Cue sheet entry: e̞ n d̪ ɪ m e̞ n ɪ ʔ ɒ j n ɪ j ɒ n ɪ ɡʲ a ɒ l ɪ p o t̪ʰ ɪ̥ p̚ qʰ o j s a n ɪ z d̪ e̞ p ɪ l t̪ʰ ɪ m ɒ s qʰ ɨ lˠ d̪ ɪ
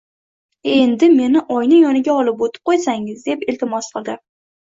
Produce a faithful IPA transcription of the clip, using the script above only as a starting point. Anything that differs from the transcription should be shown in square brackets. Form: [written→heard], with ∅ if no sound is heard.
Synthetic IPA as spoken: e̞ n d̪ ɪ m e̞ n ɪ ʔ ɒ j n ɪ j ɒ n ɪ ɡʲ a ɒ l ɪ p o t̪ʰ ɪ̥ p̚ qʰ o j s a [n→ŋ] ɪ z d̪ e̞ p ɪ l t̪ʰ ɪ m ɒ s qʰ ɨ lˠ d̪ ɪ